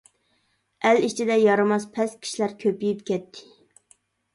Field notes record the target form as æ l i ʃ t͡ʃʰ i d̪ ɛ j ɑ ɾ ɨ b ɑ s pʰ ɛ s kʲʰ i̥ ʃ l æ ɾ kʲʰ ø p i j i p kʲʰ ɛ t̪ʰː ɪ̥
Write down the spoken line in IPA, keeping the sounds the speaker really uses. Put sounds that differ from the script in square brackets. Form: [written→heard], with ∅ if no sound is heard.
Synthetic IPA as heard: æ l i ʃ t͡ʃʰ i d̪ ɛ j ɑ ɾ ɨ [b→m] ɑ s pʰ ɛ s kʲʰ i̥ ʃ l æ ɾ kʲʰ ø p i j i p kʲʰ ɛ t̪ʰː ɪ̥